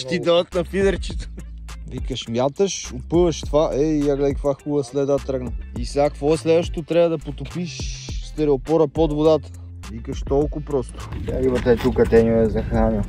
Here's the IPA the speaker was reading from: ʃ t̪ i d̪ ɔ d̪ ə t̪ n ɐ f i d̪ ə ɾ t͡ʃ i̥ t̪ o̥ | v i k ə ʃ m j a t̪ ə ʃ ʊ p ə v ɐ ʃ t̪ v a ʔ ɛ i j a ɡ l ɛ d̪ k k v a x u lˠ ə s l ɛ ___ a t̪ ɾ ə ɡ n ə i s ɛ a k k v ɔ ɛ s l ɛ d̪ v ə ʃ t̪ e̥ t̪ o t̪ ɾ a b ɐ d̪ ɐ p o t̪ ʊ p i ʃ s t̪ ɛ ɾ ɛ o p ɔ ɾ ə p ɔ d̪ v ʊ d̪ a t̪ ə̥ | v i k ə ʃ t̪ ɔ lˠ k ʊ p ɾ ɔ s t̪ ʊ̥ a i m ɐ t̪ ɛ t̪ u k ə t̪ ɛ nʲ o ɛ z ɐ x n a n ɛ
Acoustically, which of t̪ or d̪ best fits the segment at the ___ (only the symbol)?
d̪